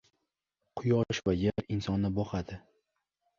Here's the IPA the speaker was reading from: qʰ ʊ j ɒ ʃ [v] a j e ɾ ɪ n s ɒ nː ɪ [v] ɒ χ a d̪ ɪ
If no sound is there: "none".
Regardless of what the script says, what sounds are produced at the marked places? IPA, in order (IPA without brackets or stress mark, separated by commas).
v, b